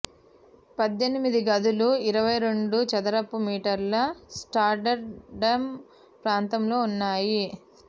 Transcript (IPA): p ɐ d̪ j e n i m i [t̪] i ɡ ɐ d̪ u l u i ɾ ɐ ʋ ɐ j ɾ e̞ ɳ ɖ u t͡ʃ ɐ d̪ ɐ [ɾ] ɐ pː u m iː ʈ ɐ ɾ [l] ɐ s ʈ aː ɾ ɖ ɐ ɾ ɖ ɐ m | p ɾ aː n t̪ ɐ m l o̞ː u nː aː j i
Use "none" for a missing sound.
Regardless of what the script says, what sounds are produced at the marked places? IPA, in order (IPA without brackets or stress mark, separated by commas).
d̪, ɾ, l